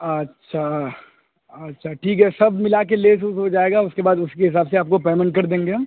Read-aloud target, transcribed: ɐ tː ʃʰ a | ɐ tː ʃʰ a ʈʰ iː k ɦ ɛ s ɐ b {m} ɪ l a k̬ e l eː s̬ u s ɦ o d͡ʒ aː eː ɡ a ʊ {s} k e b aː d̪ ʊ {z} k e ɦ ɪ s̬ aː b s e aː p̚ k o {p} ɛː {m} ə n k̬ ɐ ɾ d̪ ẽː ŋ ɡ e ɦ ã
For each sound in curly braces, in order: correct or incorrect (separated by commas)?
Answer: correct, correct, incorrect, correct, correct